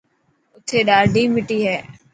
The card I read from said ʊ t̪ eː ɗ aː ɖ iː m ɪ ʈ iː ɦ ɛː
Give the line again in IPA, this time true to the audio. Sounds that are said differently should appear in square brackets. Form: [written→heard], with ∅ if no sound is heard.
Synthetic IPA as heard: ʊ [t̪→t̪ʰ] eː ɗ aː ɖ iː m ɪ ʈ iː ɦ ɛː